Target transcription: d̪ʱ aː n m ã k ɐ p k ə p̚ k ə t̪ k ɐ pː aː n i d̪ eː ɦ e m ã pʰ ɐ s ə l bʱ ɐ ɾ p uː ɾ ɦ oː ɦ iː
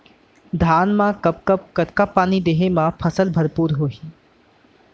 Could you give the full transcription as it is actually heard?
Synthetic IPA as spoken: d̪ʱ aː n m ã k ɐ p k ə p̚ k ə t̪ k a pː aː n i d̪ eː ɦ e m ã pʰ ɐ s ə l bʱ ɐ ɾ p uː ɾ ɦ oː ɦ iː